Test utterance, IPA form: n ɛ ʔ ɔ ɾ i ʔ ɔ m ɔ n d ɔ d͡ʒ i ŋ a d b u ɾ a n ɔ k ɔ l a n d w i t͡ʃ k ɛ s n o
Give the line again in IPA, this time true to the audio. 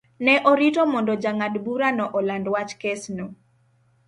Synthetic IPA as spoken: n ɛ ʔ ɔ ɾ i t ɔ m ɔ n d ɔ d͡ʒ a ŋ a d b u ɾ a n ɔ ʔ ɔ l a n d w a t͡ʃ k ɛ s n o